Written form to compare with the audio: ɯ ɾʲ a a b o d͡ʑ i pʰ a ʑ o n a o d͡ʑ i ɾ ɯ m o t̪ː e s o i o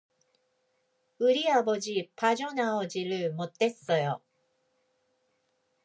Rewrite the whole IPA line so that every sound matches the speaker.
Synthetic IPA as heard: ɯ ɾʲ i a b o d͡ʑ i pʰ a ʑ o n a o d͡ʑ i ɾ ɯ m o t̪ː e s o j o